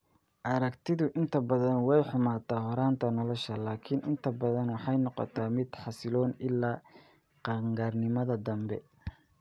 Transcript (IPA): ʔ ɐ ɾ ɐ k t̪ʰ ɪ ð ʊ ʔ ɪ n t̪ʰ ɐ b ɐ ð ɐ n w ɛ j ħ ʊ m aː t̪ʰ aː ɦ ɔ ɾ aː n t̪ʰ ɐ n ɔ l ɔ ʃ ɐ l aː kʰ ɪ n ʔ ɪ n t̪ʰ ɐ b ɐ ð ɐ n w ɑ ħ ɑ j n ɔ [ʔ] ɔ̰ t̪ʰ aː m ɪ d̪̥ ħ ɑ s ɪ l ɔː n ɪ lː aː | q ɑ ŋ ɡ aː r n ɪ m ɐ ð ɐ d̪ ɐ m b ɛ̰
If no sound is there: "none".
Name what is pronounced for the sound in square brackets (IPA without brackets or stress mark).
q